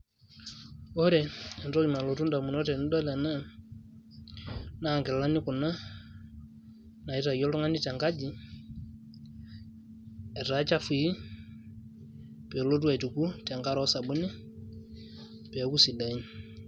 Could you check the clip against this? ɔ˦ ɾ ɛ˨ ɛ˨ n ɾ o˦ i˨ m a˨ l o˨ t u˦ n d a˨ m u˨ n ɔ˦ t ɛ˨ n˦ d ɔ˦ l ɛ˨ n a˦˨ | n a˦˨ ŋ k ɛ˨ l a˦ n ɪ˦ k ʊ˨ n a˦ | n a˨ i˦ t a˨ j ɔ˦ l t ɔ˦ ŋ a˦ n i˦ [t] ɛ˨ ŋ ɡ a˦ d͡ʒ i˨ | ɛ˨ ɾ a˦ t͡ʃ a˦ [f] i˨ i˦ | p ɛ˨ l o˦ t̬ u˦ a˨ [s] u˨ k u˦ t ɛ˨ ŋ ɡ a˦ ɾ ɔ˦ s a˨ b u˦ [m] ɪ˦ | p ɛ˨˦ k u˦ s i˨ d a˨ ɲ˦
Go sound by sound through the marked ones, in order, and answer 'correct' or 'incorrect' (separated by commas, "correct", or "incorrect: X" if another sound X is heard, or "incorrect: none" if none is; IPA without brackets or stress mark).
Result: correct, correct, incorrect: t, incorrect: n